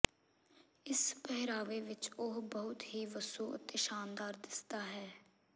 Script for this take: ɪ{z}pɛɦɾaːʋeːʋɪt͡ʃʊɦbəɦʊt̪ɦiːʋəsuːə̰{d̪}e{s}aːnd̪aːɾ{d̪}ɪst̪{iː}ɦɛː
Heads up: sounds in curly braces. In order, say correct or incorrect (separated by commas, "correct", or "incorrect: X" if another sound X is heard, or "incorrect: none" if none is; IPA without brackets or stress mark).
incorrect: s, incorrect: t̪, incorrect: ʃ, correct, incorrect: aː